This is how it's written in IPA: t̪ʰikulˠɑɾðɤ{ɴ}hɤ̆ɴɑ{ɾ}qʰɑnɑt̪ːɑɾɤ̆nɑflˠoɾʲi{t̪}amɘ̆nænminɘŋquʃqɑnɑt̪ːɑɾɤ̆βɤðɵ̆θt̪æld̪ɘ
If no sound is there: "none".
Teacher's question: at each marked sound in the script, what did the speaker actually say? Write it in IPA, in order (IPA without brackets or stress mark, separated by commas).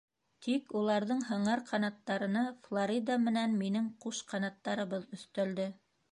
ɴ, ɾ, d̪